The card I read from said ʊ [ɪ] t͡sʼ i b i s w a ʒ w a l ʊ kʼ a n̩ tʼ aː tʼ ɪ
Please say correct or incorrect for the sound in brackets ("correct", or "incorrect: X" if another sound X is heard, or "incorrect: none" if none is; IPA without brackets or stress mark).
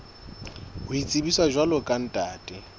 incorrect: i